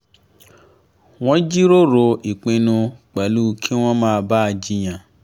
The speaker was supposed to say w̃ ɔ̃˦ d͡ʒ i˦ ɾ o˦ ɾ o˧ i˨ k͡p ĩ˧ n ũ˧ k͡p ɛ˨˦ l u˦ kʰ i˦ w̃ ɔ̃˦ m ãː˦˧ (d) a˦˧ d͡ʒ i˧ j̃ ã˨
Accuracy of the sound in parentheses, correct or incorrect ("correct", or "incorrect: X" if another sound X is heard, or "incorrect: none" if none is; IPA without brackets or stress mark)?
incorrect: b